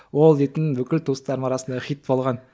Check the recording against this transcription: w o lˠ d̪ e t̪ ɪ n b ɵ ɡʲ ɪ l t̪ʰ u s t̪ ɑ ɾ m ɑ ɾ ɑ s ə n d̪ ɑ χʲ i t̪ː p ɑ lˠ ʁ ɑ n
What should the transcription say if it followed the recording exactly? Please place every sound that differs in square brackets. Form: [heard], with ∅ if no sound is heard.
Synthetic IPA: w o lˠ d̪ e t̪ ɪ n b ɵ [kʲ] ɪ l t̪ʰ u s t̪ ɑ ɾ m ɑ ɾ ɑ s ə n d̪ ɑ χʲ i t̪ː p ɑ lˠ ʁ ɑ n